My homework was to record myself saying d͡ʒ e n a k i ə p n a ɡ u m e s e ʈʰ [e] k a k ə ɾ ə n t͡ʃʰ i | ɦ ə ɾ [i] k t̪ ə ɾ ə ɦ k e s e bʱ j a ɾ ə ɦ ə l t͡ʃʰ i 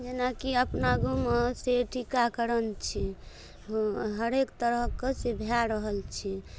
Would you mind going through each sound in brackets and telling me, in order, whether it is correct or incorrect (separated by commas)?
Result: incorrect, incorrect